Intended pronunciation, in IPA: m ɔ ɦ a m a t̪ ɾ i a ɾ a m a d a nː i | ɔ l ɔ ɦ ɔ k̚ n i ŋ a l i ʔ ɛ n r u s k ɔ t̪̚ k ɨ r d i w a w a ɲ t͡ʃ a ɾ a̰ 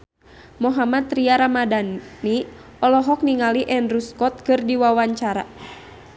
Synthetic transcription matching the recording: m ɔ ɦ a m a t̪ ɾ i a ɾ a m a d a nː i | ɔ l ɔ ɦ ɔ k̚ n i ŋ a l i ʔ ɛ n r u s k ɔ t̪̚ k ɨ r d i w a w a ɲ t͡ʃ a ɾ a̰